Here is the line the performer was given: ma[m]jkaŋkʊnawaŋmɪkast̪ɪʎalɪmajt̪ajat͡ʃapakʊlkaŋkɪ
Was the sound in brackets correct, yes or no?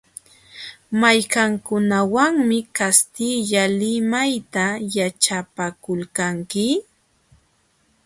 no